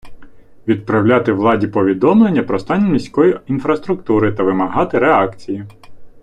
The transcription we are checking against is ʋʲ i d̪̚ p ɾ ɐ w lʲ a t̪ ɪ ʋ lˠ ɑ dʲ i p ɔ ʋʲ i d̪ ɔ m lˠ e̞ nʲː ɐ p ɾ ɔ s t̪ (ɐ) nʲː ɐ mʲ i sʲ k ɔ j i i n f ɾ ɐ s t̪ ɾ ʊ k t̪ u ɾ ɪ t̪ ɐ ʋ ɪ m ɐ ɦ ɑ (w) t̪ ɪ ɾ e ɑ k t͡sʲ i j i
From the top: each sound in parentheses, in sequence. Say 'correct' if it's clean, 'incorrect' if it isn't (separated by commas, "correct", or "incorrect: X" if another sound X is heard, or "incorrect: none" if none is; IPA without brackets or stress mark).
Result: incorrect: ɑ, incorrect: none